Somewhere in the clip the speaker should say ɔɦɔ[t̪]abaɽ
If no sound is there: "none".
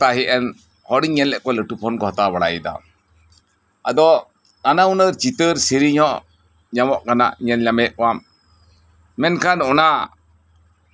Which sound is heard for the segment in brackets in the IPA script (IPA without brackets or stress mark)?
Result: t̪